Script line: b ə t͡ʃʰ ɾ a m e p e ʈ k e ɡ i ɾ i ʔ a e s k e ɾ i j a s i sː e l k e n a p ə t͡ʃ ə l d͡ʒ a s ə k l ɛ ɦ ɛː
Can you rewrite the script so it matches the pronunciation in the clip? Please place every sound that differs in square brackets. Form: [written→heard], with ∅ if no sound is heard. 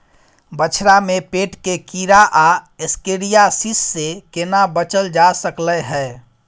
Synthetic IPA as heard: b ə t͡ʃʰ ɾ a m e p e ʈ k e [ɡ→k] i ɾ [i→a] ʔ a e s k e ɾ i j a s i sː e [l→∅] k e n a [p→b] ə t͡ʃ ə l d͡ʒ a s ə k l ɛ ɦ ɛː